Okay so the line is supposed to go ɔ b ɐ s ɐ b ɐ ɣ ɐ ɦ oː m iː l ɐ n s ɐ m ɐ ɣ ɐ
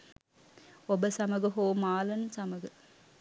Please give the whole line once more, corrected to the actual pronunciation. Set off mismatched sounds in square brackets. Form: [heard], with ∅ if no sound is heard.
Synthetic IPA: ɔ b ɐ s ɐ [m] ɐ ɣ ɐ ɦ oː m [aː] l ɐ n s ɐ m ɐ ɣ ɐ